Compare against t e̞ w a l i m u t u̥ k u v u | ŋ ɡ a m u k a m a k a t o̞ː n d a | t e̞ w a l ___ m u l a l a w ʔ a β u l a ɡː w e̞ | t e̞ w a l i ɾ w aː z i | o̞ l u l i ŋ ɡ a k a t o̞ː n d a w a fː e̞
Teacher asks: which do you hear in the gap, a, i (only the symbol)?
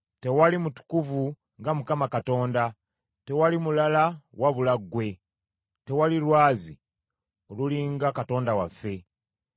i